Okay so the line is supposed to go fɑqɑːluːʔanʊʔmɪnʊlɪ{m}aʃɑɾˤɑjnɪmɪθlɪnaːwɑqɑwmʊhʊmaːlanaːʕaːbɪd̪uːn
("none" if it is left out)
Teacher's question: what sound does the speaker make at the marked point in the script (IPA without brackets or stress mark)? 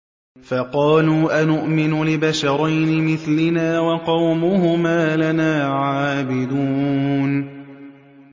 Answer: b